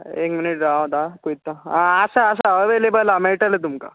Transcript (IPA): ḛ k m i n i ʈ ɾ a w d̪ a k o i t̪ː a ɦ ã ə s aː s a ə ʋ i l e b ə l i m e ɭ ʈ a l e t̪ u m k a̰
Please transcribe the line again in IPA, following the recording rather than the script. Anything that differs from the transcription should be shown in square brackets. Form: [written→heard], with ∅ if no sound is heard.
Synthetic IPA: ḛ k m i n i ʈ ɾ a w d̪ a k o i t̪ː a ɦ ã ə s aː s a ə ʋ [i→e] l e b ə l [i→a] m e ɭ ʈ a l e t̪ u m k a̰